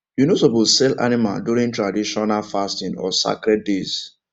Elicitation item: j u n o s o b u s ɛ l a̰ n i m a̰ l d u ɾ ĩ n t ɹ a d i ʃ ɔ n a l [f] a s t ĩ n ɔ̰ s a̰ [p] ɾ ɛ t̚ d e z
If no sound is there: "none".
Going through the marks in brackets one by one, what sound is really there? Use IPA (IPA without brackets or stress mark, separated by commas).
f, k